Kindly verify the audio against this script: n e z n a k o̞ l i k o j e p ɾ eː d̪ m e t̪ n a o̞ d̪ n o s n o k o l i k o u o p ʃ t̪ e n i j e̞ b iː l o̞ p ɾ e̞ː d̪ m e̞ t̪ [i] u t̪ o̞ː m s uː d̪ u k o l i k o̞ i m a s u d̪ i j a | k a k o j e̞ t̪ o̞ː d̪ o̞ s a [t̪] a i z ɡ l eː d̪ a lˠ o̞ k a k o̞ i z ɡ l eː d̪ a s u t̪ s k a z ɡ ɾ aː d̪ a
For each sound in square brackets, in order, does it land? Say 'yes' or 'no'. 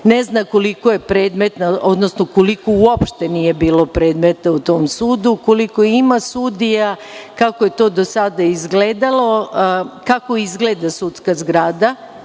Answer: no, no

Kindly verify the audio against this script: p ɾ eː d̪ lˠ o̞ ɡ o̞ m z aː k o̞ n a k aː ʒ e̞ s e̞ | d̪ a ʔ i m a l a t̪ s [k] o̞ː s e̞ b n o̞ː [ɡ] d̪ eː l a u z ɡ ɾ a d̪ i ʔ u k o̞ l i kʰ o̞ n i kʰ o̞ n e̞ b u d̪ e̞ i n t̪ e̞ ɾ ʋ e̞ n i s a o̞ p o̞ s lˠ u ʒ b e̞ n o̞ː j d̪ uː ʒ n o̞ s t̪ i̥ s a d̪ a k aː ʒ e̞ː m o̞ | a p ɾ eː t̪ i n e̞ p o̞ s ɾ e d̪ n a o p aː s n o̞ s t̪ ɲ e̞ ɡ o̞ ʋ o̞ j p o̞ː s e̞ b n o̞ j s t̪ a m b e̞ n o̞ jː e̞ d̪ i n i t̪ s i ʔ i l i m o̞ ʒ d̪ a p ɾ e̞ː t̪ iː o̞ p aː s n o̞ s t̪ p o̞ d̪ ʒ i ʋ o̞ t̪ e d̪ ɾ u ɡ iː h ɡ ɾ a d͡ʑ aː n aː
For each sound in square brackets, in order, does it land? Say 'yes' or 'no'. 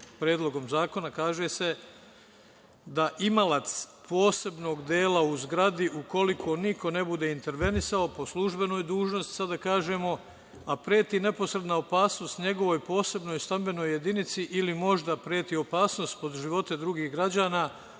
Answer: no, yes

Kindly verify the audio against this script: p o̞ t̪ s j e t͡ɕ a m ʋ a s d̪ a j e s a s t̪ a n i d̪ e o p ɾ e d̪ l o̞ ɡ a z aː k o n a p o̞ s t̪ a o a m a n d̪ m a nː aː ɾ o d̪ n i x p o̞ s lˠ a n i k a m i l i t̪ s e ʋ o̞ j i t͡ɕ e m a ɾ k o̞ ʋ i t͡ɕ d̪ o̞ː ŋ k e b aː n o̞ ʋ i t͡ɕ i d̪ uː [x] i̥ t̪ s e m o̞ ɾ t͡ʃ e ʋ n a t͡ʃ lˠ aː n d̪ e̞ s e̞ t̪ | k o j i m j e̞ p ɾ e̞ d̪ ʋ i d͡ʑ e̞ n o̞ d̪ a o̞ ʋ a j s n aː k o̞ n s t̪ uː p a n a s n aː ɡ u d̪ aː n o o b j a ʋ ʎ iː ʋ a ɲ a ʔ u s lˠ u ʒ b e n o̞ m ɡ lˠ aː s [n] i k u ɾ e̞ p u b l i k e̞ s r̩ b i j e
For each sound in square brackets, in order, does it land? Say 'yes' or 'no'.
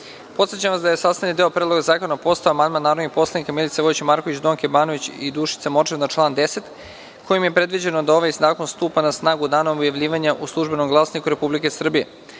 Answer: no, yes

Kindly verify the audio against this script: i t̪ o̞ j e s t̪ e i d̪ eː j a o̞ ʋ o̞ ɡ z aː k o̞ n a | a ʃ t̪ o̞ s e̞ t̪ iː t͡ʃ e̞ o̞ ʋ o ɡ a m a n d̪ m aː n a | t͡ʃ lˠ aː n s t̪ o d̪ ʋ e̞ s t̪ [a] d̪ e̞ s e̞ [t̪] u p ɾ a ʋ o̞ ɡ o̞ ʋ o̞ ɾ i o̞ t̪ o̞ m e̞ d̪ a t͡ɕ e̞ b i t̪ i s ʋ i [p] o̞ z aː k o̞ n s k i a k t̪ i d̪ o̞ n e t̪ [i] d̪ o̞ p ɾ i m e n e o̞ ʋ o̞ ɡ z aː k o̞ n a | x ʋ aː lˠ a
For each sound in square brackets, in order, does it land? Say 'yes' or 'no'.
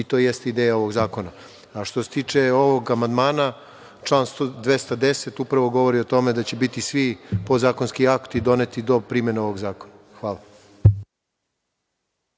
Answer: yes, yes, yes, yes

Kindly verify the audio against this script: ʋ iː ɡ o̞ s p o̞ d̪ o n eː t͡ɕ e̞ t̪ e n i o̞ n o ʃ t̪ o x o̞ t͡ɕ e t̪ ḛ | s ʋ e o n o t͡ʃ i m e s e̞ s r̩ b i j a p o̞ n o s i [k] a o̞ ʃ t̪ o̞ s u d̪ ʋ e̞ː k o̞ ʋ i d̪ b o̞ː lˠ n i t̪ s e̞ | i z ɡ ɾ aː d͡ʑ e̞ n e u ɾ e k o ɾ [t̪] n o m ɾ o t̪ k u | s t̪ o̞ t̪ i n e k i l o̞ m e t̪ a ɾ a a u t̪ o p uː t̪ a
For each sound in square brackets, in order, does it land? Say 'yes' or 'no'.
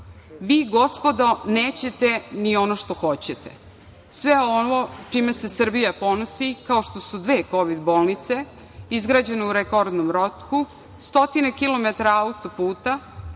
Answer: yes, no

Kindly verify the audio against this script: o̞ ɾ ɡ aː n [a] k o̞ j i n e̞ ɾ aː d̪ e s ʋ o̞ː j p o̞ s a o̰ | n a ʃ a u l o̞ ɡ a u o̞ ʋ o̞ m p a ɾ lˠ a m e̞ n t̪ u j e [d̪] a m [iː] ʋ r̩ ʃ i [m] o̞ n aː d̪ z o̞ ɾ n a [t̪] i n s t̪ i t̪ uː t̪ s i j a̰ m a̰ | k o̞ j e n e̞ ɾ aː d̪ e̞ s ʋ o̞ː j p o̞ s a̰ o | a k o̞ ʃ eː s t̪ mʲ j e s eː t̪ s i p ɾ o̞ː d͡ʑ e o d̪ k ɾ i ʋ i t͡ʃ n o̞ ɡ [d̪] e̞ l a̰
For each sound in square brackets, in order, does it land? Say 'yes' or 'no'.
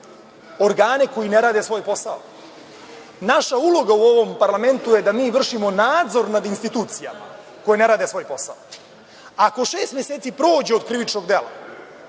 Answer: no, yes, yes, yes, no, yes

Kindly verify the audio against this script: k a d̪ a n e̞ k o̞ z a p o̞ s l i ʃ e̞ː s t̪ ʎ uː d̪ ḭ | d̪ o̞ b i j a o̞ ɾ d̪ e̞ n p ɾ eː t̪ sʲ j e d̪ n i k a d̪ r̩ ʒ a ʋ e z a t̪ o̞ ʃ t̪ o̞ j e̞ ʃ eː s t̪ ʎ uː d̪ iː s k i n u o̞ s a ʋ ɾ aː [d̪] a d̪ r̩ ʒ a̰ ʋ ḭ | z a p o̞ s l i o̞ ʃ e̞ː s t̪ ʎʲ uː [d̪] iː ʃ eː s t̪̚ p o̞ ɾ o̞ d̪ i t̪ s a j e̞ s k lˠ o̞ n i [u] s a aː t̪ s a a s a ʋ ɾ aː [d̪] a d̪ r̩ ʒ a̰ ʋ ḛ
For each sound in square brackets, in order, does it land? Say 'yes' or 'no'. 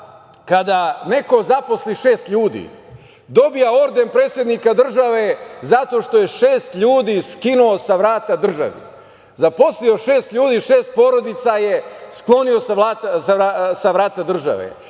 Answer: no, yes, no, no

